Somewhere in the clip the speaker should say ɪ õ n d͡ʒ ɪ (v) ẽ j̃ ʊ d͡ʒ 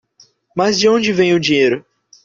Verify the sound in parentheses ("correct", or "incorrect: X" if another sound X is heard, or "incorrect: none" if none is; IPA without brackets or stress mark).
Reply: correct